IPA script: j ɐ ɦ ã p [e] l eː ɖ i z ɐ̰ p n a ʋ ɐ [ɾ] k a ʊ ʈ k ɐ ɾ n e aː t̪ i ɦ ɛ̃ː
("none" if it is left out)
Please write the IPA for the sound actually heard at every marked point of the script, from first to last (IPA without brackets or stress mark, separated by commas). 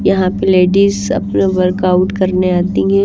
e, ɾ